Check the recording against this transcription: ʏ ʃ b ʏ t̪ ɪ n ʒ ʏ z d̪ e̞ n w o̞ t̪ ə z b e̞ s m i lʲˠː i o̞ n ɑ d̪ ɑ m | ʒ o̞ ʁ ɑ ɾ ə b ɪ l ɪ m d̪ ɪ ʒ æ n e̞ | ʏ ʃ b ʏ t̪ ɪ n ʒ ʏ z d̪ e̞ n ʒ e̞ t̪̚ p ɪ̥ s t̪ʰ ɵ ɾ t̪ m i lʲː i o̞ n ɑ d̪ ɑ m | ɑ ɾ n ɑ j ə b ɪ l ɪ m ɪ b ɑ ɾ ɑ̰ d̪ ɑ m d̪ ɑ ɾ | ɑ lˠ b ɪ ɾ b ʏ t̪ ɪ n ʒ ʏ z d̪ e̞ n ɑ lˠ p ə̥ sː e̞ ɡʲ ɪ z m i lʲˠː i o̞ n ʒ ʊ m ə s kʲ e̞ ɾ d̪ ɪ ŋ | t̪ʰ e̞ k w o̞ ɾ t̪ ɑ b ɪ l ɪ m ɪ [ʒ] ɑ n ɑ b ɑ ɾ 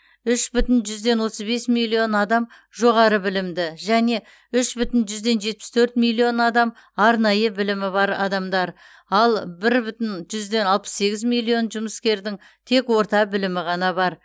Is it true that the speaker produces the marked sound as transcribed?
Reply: no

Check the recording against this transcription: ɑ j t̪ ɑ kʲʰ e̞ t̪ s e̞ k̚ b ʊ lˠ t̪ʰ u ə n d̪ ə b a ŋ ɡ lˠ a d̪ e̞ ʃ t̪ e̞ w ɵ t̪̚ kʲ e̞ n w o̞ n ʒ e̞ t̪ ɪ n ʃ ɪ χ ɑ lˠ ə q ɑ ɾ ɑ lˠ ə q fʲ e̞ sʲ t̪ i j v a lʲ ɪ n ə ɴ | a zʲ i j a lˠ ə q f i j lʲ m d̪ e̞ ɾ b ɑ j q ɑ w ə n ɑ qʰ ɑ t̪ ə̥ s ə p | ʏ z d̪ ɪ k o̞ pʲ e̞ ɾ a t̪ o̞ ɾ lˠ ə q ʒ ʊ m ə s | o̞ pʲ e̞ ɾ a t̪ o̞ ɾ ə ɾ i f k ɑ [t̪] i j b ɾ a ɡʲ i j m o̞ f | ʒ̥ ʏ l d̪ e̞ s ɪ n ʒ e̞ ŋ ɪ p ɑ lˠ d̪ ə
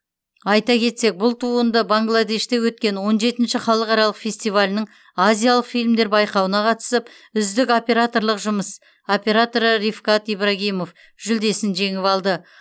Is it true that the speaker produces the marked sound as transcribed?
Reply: yes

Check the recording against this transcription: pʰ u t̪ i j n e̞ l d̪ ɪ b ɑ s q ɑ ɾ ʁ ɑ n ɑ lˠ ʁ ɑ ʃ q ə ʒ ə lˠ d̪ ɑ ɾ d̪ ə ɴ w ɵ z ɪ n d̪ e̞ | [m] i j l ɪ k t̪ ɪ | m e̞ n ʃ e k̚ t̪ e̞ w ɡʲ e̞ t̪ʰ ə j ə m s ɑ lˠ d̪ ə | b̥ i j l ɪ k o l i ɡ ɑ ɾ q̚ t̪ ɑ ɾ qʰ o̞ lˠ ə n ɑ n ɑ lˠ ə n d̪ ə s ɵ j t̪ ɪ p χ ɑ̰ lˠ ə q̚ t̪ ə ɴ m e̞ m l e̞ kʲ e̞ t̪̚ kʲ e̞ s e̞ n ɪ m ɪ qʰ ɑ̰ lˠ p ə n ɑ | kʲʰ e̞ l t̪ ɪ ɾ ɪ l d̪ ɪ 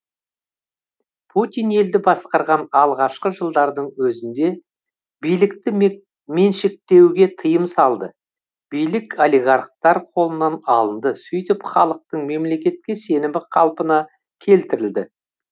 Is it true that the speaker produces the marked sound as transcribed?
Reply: no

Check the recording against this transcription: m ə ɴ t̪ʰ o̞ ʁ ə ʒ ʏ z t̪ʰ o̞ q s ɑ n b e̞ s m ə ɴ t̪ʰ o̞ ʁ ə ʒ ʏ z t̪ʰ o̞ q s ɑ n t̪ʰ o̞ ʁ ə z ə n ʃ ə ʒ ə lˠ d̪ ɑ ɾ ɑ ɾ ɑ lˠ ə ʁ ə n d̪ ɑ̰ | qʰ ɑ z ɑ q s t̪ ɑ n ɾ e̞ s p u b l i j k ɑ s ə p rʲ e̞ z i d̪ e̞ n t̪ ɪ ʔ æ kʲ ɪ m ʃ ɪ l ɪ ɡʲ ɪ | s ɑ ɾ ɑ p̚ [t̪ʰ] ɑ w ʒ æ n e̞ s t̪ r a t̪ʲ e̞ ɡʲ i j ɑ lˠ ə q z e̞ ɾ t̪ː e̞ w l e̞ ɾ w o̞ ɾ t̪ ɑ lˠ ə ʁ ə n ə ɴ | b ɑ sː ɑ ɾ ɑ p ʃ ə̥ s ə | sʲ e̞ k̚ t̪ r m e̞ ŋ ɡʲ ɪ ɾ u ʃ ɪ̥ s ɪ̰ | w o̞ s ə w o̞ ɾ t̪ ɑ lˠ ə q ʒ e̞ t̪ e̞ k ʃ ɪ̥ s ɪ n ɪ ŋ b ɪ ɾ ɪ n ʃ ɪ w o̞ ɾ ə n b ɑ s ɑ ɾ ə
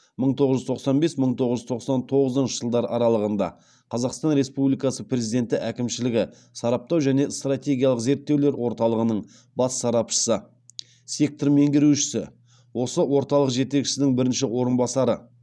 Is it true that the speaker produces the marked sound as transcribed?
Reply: no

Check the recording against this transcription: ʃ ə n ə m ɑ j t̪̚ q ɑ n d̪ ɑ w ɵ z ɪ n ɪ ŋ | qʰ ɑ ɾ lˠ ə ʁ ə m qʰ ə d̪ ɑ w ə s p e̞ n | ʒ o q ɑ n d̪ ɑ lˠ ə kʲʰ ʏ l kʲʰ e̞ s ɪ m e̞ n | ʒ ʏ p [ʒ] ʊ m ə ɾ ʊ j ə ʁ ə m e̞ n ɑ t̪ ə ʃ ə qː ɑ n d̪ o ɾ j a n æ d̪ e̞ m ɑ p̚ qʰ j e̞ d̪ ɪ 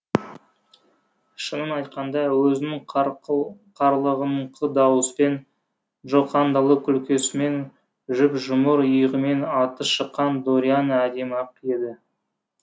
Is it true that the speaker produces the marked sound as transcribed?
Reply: yes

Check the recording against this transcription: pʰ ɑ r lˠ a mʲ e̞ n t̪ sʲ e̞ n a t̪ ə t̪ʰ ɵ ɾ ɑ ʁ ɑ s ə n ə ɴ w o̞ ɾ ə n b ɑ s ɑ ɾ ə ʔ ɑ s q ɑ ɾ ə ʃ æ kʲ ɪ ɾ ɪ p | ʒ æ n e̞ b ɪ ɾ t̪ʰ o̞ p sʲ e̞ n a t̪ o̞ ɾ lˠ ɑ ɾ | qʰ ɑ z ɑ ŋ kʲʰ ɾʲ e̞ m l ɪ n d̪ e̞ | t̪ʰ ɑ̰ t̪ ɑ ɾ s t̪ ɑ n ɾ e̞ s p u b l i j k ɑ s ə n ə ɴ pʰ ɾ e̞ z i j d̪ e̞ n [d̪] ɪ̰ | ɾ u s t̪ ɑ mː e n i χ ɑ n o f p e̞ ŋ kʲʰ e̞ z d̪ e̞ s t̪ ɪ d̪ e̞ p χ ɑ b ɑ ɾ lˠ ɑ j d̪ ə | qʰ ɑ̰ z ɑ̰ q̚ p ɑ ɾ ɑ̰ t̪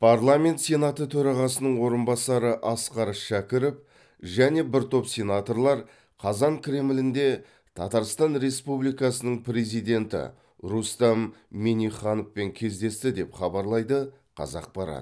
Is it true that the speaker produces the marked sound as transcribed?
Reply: no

